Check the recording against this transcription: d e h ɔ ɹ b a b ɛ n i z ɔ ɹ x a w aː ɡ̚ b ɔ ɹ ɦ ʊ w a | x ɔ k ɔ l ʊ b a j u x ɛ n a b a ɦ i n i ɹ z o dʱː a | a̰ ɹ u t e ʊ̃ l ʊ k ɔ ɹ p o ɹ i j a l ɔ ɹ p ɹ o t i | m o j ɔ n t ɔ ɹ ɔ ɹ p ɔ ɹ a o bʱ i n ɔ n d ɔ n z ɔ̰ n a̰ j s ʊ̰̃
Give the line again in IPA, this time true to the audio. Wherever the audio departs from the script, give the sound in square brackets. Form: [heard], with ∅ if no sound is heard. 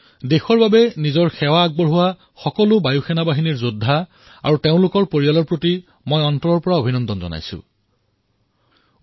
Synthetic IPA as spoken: d e [x] ɔ ɹ b a b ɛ n i z ɔ ɹ x [ɛ] w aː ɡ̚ b ɔ ɹ ɦ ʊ w a | x ɔ k ɔ l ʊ b a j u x ɛ n a b a ɦ i n i ɹ z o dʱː a | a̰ ɹ u t e ʊ̃ l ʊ k ɔ ɹ p o ɹ i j a l ɔ ɹ p ɹ o t i | m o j ɔ n t ɔ ɹ ɔ ɹ p ɔ ɹ a o bʱ i n ɔ n d ɔ n z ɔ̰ n a̰ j s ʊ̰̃